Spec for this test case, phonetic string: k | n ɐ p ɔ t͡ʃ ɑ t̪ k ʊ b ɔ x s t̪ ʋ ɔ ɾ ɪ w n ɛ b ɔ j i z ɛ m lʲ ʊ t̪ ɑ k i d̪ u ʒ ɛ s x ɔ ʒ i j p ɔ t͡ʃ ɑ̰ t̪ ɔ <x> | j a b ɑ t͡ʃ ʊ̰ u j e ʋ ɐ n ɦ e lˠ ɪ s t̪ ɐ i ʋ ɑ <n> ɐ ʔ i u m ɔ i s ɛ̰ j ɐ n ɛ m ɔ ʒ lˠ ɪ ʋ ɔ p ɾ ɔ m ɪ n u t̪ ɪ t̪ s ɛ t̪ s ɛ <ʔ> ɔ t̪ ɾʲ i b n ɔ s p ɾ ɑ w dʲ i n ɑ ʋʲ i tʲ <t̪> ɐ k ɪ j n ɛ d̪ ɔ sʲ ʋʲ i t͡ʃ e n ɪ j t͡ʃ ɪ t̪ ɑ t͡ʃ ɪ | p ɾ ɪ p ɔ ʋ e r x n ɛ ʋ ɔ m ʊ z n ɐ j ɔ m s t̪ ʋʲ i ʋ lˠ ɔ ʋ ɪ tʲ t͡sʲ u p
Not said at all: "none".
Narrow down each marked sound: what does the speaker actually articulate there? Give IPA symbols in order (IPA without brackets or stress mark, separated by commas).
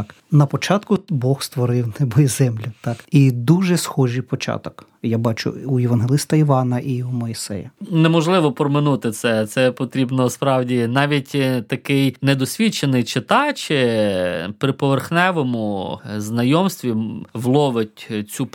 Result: k, n, p, t̪